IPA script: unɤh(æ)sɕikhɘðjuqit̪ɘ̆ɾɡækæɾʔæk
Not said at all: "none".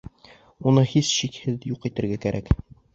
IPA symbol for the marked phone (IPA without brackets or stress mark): i